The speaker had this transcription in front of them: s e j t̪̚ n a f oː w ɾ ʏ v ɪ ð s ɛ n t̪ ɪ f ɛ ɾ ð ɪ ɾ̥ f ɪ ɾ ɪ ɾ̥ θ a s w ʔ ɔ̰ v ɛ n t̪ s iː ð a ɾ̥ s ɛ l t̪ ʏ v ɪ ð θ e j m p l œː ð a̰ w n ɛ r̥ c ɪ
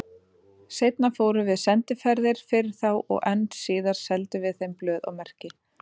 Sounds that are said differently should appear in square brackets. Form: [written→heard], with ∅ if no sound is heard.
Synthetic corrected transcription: s e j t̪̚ n a f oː w ɾ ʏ v ɪ ð s ɛ n t̪ ɪ f ɛ ɾ ð ɪ ɾ̥ f ɪ ɾ ɪ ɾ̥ θ a [s→∅] w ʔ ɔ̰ [v→ɣ] ɛ n t̪ s iː ð a ɾ̥ s ɛ l t̪ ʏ v ɪ ð θ e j m p l œː ð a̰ w [n→m] ɛ r̥ c ɪ